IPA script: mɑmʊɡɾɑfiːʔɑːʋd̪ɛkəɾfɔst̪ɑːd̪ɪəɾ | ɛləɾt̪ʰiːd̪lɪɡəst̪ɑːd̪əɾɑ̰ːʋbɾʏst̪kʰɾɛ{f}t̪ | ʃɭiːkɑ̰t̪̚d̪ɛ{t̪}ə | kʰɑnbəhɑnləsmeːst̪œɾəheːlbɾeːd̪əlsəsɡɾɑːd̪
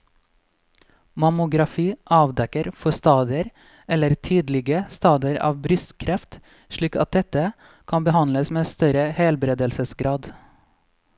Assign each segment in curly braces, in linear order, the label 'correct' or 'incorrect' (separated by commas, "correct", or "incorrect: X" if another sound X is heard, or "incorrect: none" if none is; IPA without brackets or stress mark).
correct, correct